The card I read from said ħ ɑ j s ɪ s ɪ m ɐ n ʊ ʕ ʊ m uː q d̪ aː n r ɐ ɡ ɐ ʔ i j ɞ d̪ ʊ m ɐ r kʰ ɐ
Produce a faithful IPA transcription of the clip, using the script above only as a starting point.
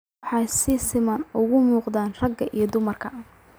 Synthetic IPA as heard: ħ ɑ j s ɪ s ɪ m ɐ n ʊ ɣ ʊ m uː q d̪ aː n r ɐ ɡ ɐ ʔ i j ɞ d̪ ʊ m ɐ r kʰ ɐ